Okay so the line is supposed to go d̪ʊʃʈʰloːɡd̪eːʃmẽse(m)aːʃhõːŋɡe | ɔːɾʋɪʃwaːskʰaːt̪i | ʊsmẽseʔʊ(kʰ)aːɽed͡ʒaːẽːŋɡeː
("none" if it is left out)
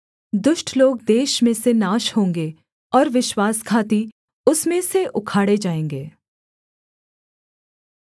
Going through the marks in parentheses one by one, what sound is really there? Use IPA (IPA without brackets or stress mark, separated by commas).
n, kʰ